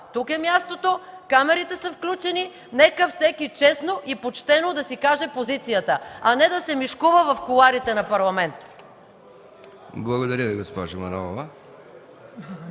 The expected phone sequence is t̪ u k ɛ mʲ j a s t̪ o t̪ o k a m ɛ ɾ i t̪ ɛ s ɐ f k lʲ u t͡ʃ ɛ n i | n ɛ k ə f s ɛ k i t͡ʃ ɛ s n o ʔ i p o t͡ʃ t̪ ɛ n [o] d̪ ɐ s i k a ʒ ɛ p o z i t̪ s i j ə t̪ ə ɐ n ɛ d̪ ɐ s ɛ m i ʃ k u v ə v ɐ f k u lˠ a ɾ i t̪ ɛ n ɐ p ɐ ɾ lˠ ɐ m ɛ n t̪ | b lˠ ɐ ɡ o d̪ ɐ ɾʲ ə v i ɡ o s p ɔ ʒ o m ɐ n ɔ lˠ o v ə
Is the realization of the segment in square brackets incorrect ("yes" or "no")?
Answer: no